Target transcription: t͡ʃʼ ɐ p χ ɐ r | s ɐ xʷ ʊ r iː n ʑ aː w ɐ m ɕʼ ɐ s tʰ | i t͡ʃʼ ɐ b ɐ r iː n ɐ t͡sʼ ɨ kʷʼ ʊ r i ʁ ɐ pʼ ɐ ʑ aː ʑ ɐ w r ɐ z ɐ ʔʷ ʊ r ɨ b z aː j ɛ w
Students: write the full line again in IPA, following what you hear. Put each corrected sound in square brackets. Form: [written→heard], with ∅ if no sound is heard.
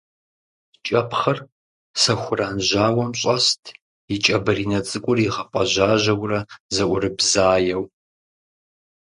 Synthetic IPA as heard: t͡ʃʼ ɐ p χ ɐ r | s ɐ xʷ ʊ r [iː→aː] n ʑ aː w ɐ m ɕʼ ɐ s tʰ | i t͡ʃʼ ɐ b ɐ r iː n ɐ t͡sʼ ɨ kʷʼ ʊ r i ʁ ɐ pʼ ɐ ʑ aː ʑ ɐ w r ɐ z ɐ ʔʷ ʊ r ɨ b z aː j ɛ w